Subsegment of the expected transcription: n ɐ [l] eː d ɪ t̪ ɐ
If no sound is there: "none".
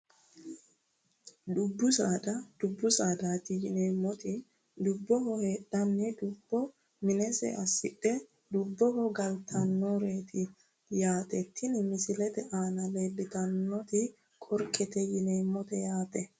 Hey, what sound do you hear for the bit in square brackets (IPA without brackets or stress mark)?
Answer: l